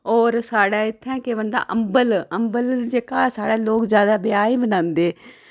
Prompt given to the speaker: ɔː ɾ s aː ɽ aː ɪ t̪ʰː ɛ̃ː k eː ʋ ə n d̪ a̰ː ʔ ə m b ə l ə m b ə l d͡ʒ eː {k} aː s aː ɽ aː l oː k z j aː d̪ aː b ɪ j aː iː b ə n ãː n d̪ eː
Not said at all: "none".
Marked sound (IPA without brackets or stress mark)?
k